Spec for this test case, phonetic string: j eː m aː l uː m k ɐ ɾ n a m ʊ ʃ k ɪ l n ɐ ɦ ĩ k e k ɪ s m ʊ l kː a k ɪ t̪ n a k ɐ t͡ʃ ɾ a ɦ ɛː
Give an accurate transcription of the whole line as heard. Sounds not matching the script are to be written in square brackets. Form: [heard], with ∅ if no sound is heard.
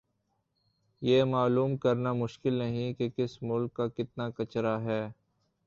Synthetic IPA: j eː m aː l uː m k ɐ ɾ n a m ʊ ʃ k ɪ l n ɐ ɦ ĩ k e k ɪ s m ʊ l kː a k ɪ t̪ n a k ɐ t͡ʃ ɾ a ɦ ɛː